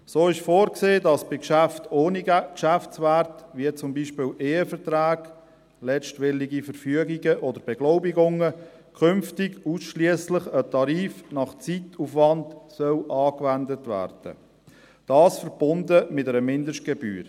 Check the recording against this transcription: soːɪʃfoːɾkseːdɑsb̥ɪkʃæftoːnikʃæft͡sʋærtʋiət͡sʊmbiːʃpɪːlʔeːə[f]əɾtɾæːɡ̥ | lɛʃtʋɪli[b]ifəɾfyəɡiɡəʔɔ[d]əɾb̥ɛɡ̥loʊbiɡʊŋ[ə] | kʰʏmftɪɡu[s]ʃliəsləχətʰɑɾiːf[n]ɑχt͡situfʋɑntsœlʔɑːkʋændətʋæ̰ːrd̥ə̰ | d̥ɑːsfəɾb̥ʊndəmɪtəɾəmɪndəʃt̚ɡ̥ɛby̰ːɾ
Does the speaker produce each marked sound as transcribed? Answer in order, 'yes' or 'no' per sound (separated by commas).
yes, no, yes, yes, yes, yes